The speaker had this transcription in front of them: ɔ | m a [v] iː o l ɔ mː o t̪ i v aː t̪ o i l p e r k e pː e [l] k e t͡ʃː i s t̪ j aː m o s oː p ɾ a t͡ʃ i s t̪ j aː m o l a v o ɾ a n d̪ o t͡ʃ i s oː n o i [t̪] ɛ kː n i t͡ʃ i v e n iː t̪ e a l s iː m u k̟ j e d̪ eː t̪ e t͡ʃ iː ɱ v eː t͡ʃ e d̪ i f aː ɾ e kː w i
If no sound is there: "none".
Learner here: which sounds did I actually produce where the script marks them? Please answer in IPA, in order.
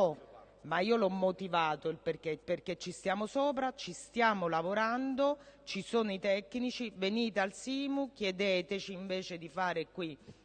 none, r, t̪

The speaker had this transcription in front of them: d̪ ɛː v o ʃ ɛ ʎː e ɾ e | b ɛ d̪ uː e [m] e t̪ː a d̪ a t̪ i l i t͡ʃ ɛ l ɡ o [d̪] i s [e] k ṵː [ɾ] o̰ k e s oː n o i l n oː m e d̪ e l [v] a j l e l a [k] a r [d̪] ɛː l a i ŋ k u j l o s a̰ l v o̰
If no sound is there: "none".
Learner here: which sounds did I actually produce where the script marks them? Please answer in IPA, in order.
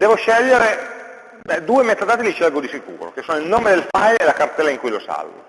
m, d̪, i, ɾ, f, k, t̪

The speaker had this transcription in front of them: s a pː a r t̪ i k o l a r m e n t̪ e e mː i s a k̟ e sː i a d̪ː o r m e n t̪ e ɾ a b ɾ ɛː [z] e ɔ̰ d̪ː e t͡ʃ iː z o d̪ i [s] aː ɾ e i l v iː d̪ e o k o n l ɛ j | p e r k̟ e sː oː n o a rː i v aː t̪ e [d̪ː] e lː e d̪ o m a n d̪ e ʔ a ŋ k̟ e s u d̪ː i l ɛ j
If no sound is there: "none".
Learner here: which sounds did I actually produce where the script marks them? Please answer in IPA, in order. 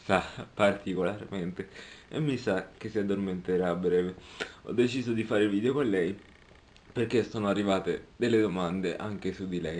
v, f, d̪

